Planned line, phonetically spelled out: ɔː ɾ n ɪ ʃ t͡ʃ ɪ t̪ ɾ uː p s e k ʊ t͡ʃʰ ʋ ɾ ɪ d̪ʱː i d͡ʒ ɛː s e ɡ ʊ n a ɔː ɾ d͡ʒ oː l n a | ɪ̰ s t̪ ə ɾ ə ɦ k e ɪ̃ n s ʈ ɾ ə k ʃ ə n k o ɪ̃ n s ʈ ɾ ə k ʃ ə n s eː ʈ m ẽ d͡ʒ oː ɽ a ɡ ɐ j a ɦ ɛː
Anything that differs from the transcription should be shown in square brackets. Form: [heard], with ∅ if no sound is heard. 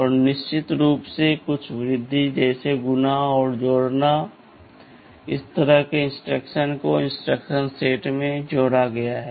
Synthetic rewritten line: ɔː ɾ n ɪ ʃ t͡ʃ ɪ t̪ ɾ uː p s e k ʊ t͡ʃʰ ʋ ɾ ɪ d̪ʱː i d͡ʒ ɛː s e ɡ ʊ n a ɔː ɾ d͡ʒ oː [ɽ] n a | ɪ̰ s t̪ ə ɾ ə ɦ k e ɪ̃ n s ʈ ɾ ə k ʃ ə n k o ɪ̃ n s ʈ ɾ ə k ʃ ə n s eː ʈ m ẽ d͡ʒ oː ɽ a ɡ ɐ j a ɦ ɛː

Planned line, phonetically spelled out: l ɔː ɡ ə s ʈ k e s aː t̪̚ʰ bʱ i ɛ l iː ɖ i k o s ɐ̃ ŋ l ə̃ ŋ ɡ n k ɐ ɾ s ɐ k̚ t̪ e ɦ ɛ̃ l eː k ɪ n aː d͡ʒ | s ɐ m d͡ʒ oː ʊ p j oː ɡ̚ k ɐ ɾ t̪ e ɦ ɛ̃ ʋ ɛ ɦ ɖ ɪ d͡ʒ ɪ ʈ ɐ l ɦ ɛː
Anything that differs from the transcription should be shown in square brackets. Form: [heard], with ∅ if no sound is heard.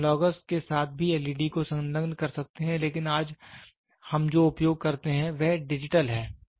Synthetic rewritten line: l ɔː ɡ ə s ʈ k e s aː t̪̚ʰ bʱ i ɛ l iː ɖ i k o s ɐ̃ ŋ l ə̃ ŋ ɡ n k ɐ ɾ s ɐ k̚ t̪ e ɦ ɛ̃ l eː k ɪ n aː d͡ʒ | [h] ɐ m d͡ʒ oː ʊ p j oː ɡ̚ k ɐ ɾ t̪ e ɦ ɛ̃ ʋ ɛ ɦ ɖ ɪ d͡ʒ ɪ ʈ [ə] l ɦ ɛː

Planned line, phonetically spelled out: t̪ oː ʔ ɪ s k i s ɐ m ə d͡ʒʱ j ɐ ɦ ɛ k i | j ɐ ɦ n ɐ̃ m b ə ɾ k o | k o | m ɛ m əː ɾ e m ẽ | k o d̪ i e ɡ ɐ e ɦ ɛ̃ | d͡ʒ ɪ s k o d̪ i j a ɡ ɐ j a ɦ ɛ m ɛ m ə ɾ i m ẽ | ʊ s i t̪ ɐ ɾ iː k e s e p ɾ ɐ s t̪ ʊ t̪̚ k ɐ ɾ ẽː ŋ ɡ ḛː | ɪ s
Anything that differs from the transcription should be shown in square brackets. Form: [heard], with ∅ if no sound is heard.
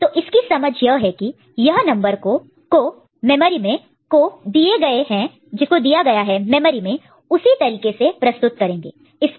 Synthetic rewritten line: t̪ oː ʔ ɪ s k i s ɐ m ə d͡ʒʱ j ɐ ɦ ɛ k i | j ɐ ɦ n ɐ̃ m b ə ɾ k o | k o | m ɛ m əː ɾ [i] m ẽ | k o d̪ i e ɡ ɐ e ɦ ɛ̃ | d͡ʒ ɪ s k o d̪ i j a ɡ ɐ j a ɦ ɛ m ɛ m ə ɾ i m ẽ | ʊ s i t̪ ɐ ɾ iː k e s e p ɾ ɐ s t̪ ʊ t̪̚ k ɐ ɾ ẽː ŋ ɡ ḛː | ɪ s

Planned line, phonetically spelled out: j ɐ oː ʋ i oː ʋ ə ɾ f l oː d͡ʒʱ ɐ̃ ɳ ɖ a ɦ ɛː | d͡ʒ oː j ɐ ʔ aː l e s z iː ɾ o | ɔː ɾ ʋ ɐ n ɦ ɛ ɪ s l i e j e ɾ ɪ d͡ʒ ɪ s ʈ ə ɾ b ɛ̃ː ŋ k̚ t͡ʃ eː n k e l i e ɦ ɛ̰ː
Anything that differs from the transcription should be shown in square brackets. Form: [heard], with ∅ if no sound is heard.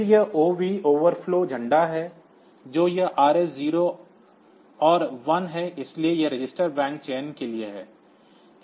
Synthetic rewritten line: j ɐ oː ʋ i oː ʋ ə ɾ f l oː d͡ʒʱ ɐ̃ ɳ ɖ a ɦ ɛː | d͡ʒ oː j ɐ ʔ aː [ɾ] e s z iː ɾ o | ɔː ɾ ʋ ɐ n ɦ ɛ ɪ s l i e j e ɾ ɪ d͡ʒ ɪ s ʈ ə ɾ b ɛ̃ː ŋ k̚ t͡ʃ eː n k e l i e ɦ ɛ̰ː

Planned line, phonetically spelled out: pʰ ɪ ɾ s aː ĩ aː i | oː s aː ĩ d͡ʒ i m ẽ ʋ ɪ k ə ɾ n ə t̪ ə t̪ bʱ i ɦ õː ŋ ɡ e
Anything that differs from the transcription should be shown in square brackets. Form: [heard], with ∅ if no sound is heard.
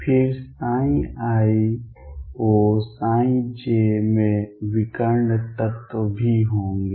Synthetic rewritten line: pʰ ɪ ɾ s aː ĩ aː i | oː s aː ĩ d͡ʒ [e] m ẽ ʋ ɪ k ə ɾ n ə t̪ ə t̪ bʱ i ɦ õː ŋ ɡ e

